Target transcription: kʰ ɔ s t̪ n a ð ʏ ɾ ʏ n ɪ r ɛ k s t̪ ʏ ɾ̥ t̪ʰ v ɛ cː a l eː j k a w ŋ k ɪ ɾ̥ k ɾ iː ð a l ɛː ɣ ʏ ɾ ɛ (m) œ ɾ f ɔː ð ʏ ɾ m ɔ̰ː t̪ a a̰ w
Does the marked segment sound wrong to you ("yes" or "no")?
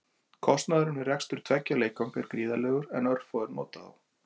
yes